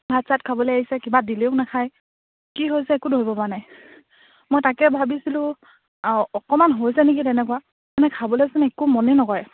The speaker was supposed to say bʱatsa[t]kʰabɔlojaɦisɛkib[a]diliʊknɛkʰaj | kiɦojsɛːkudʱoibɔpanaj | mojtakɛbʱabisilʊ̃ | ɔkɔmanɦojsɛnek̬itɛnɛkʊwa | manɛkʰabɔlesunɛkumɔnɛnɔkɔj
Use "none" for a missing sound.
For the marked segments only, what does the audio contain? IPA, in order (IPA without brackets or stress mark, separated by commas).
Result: t, a